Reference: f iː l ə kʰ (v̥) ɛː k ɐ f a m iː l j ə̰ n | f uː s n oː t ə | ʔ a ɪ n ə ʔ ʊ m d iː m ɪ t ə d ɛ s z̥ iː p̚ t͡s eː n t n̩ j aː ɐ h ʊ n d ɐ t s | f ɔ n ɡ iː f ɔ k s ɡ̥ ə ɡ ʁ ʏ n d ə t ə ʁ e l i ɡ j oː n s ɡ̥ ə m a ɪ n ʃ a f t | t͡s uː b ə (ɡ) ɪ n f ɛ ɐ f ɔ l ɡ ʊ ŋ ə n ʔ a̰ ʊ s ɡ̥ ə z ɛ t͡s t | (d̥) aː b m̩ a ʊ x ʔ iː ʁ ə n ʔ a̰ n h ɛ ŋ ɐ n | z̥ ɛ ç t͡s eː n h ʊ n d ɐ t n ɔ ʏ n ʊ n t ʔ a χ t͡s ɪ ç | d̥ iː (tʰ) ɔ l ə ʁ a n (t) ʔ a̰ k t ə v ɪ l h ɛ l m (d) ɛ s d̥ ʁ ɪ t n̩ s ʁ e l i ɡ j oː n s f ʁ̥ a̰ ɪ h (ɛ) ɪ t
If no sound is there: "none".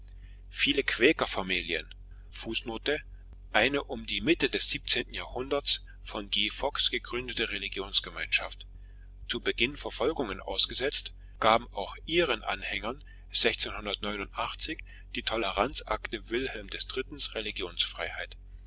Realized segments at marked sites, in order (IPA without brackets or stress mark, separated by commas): v̥, ɡ, ɡ̥, tʰ, t͡s, d, a